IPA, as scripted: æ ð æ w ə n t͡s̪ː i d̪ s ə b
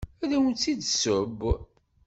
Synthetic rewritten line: æ ð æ w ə n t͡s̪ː i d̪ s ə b